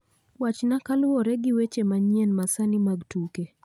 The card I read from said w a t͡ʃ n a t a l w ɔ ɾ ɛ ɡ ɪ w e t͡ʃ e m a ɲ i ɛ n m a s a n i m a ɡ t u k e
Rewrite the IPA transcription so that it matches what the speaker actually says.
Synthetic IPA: w a t͡ʃ n a k a l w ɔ ɾ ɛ ɡ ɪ w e t͡ʃ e m a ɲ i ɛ n m a s a n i m a ɡ t u k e